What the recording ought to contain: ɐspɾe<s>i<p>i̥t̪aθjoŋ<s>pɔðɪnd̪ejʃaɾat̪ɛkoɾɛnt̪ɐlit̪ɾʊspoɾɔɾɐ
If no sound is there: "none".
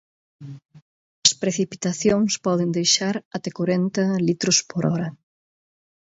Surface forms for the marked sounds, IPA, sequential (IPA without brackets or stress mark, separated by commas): θ, p, s